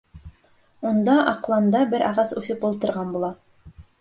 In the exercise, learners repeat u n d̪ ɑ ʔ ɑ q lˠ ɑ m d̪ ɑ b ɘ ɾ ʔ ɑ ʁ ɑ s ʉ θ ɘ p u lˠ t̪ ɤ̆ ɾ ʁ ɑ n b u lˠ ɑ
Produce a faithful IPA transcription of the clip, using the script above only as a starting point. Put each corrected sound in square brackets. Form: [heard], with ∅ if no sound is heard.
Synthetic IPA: u n d̪ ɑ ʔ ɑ q lˠ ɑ [n] d̪ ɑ b ɘ ɾ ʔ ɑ ʁ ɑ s ʉ θ ɘ p u lˠ t̪ ɤ̆ ɾ ʁ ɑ n b u lˠ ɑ